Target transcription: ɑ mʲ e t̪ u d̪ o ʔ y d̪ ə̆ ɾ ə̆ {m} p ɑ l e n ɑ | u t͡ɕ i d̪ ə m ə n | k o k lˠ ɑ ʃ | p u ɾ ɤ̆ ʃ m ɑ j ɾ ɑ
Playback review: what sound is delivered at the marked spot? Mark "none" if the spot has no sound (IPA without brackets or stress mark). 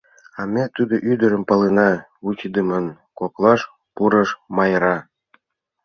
m